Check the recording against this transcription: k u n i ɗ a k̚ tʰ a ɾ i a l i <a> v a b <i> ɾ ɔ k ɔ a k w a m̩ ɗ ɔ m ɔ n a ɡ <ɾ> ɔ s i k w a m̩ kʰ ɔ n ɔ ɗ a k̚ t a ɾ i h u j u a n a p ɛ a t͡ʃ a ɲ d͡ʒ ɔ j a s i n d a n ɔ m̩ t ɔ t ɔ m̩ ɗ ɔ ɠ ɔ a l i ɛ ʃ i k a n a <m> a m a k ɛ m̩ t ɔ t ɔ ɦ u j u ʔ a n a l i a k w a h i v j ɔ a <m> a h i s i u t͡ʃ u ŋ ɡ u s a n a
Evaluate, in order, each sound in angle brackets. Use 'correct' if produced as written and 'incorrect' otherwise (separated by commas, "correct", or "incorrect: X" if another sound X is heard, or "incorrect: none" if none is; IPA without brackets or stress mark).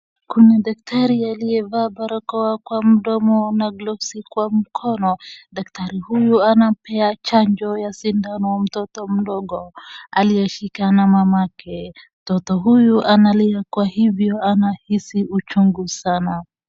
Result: incorrect: ɛ, incorrect: a, incorrect: l, correct, incorrect: n